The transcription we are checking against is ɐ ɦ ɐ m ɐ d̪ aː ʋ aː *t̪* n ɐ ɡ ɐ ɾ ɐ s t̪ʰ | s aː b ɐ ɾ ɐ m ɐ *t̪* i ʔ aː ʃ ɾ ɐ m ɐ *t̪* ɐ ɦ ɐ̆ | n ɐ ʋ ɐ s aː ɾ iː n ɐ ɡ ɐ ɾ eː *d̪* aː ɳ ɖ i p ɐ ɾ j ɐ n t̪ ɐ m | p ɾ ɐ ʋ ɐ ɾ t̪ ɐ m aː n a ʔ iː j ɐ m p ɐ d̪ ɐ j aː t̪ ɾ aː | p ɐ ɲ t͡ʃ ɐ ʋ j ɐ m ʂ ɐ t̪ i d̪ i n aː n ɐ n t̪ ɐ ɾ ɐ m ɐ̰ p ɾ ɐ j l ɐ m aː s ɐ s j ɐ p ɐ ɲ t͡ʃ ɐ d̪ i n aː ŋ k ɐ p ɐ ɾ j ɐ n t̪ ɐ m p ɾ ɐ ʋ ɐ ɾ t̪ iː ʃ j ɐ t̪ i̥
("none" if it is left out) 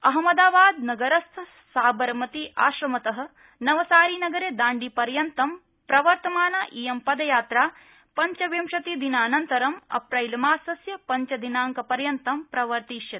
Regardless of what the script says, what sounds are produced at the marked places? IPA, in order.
d̪, t̪, t̪, d̪

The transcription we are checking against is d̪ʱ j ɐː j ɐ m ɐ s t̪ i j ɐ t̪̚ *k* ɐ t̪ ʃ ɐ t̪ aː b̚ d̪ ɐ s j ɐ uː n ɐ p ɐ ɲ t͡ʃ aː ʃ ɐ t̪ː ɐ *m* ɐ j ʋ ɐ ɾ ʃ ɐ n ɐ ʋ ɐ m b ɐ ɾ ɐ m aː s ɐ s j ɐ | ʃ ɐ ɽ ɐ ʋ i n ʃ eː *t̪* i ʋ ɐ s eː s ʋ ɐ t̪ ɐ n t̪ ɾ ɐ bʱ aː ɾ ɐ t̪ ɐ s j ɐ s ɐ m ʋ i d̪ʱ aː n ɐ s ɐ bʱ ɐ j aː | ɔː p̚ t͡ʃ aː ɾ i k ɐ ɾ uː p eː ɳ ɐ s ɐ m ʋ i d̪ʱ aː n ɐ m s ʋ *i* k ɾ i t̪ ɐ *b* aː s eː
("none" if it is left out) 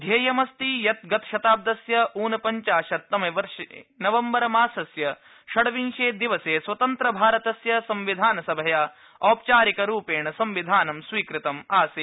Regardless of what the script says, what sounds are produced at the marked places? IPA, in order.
ɡ, m, d̪, iː, m

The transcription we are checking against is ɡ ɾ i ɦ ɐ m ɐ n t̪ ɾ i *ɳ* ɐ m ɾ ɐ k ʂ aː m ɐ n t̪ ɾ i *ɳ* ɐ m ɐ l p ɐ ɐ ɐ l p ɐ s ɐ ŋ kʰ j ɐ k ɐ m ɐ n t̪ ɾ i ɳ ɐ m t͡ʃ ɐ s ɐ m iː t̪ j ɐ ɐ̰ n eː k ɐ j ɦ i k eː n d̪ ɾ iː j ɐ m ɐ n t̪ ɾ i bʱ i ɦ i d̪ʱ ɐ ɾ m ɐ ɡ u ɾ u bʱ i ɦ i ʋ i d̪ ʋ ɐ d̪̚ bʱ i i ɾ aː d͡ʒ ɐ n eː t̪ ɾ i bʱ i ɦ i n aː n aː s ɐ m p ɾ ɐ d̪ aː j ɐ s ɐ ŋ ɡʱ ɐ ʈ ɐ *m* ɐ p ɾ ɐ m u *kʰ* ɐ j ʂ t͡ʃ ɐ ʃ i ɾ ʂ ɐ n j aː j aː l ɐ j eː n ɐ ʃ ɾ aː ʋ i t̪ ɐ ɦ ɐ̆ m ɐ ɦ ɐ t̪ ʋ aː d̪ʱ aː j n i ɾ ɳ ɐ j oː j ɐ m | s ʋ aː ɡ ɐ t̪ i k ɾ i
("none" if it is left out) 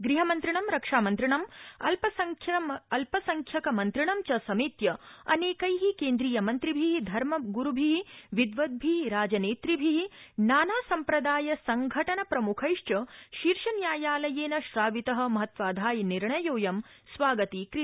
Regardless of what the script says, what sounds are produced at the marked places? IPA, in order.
ɳ, ɳ, n, kʰ

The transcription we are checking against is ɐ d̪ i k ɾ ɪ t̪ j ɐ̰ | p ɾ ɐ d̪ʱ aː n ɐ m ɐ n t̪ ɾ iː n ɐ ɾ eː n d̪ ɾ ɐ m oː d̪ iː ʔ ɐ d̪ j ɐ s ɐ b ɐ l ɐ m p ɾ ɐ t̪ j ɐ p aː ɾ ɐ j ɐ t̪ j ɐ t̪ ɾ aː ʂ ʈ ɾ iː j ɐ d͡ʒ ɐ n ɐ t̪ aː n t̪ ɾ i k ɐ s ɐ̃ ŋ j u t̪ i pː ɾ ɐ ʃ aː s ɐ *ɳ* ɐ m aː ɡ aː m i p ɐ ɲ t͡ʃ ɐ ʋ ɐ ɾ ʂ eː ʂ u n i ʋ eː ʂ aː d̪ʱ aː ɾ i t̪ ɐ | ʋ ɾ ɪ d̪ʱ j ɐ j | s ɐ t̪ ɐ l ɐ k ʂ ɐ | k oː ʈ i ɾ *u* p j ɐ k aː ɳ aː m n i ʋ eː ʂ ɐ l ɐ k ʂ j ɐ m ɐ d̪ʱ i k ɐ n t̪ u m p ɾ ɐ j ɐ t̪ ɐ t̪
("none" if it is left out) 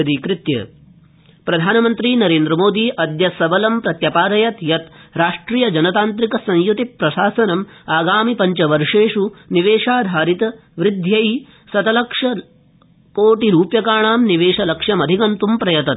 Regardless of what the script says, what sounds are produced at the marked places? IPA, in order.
n, uː

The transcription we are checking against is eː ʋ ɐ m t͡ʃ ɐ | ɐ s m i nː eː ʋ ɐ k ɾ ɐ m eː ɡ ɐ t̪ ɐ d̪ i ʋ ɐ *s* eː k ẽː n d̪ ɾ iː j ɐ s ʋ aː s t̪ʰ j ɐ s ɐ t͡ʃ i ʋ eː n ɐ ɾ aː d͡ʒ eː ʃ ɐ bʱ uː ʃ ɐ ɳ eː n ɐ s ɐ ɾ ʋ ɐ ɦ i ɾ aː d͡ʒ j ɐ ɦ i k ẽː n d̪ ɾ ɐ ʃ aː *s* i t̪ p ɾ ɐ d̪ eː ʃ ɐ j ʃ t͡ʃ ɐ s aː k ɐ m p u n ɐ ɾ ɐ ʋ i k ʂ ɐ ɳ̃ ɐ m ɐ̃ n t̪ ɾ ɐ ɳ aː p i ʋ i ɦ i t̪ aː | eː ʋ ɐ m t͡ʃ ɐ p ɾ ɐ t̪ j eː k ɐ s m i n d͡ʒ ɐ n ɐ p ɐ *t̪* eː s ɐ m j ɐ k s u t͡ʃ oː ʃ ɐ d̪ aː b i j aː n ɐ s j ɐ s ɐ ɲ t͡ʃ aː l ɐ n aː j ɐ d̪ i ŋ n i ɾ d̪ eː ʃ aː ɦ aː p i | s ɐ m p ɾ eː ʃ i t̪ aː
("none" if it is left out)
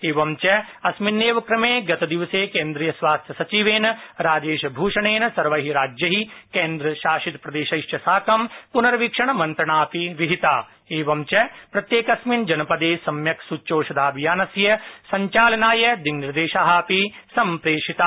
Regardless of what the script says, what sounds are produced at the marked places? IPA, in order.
s, ʃ, d̪

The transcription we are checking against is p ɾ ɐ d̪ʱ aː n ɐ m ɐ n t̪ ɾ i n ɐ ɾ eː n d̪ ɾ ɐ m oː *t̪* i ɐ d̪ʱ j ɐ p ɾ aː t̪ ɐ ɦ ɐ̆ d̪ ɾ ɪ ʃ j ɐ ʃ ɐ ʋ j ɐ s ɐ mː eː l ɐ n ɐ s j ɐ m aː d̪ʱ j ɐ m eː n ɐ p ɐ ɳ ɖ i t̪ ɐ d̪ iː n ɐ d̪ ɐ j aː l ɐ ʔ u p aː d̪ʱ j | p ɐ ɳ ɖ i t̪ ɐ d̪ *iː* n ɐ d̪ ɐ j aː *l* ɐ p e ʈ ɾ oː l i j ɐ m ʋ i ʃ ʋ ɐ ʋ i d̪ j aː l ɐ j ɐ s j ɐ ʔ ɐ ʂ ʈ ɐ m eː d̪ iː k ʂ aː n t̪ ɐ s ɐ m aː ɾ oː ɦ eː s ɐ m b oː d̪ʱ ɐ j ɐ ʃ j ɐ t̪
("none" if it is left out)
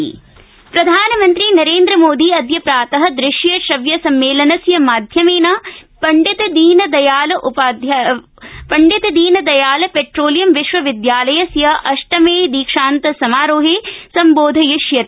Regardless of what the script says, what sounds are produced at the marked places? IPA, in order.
d̪, iː, l

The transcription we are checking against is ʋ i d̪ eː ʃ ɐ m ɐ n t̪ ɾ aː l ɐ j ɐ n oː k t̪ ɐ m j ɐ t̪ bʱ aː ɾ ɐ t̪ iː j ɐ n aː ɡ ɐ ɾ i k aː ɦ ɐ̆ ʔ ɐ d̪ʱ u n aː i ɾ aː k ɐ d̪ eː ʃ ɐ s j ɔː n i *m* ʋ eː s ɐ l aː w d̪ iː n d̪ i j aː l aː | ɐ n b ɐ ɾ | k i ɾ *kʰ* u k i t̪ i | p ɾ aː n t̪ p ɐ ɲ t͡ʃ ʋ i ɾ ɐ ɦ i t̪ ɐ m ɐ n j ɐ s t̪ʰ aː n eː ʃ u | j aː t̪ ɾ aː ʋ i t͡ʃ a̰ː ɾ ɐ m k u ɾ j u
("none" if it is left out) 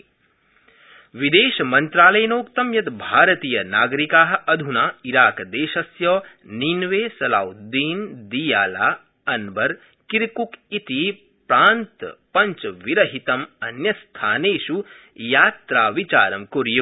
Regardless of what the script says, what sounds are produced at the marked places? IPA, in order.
n, k

